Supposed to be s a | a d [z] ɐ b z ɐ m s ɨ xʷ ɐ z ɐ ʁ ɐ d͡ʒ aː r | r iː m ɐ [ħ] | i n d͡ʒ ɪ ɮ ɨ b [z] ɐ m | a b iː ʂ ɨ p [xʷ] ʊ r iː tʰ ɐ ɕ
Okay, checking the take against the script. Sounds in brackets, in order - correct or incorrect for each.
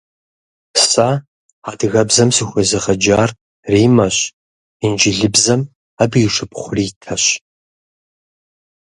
incorrect: ɣ, incorrect: ɕ, correct, incorrect: χʷ

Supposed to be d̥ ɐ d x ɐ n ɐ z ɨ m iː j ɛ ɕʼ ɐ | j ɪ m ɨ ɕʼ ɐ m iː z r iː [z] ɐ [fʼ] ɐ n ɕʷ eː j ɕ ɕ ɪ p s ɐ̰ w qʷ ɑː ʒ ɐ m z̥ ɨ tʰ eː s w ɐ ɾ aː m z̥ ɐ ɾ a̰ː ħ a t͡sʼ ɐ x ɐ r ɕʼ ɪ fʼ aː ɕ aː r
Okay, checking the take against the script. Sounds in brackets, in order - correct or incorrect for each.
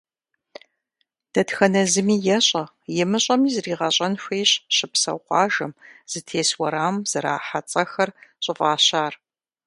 incorrect: ʁ, incorrect: ɕʼ

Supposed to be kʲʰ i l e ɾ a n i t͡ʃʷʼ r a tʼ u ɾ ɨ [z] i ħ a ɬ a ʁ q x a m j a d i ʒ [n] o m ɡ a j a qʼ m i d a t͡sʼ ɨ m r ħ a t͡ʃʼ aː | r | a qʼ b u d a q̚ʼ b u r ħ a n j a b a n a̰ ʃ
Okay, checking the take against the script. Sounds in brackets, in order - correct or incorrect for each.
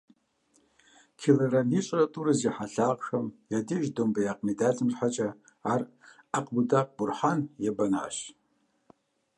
correct, incorrect: d

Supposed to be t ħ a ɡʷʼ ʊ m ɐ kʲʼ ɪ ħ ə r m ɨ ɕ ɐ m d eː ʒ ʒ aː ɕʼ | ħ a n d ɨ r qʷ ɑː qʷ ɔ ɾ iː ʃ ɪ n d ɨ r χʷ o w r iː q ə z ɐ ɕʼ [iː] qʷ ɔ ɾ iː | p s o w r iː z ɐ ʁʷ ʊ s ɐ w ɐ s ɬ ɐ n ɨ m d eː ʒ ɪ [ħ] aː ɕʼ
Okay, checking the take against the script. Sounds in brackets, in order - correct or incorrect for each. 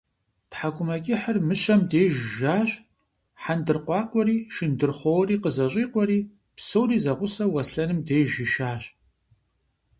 correct, incorrect: ʃ

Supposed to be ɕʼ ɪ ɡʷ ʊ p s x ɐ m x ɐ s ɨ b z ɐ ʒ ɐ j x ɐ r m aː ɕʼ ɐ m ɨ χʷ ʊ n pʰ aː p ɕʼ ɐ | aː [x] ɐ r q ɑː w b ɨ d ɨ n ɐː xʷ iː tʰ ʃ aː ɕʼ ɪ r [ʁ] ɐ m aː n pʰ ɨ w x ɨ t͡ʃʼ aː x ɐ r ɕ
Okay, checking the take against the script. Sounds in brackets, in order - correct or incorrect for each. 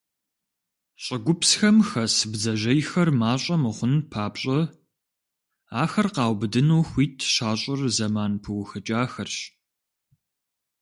correct, incorrect: z

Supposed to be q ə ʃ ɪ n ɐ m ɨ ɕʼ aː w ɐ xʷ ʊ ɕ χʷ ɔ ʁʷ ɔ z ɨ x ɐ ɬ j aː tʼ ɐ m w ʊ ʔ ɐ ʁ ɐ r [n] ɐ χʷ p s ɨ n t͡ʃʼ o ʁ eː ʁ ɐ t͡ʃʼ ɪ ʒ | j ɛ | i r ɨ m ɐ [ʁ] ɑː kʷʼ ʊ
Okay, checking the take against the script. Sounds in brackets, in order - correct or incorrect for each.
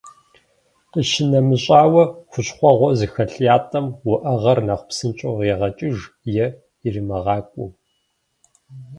correct, correct

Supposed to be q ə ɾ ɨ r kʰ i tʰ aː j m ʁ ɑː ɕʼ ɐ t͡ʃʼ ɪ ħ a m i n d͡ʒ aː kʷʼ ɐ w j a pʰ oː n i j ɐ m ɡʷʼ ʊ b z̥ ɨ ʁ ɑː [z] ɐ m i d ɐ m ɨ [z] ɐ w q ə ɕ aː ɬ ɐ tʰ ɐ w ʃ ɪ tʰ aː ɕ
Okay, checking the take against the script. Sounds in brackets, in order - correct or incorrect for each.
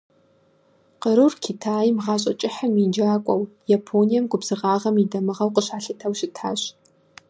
incorrect: ʁ, incorrect: ʁ

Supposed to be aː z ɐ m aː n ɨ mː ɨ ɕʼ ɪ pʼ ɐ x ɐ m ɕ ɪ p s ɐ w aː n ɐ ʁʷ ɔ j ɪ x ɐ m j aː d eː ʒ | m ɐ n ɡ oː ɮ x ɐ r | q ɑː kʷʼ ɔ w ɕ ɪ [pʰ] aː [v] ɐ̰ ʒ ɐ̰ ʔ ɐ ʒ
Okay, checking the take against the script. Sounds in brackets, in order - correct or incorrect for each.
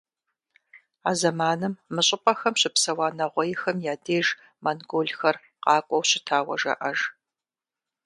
incorrect: tʰ, incorrect: w

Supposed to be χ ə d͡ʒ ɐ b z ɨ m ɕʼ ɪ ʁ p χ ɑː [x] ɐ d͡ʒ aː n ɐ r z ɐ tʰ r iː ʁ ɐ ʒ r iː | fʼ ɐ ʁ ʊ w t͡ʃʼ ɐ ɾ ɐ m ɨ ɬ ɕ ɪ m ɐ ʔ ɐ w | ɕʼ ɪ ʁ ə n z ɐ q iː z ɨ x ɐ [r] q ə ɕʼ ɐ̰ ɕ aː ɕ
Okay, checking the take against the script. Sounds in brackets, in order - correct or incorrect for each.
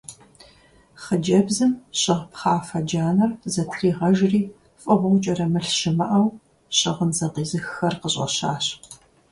incorrect: f, correct

